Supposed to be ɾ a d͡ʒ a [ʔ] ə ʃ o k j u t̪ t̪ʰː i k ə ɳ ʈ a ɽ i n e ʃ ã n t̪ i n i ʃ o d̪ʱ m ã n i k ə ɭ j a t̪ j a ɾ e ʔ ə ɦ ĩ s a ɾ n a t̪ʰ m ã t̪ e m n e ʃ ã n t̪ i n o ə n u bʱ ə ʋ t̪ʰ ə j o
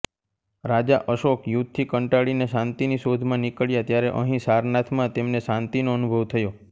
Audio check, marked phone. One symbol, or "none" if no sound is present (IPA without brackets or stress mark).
ʔ